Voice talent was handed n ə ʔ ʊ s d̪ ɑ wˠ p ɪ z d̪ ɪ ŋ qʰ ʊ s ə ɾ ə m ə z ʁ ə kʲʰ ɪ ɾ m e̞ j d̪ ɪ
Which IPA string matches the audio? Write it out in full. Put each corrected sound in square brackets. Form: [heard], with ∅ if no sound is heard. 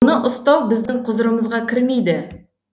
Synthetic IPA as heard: n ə ʔ ʊ s [t̪] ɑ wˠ [b] ɪ z d̪ ɪ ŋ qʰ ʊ [z] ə ɾ ə m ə z ʁ [ɑ] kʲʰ ɪ ɾ m e̞ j d̪ ɪ